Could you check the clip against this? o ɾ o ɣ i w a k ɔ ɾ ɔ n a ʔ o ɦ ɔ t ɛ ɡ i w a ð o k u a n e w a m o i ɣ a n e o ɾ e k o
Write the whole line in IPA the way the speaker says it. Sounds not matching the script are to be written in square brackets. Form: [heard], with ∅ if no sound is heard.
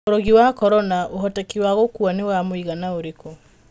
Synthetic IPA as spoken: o ɾ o ɣ i w a k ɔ ɾ ɔ n a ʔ o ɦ ɔ t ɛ [k] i w a [ɣ] o k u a n e w a m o i ɣ a n [a] o ɾ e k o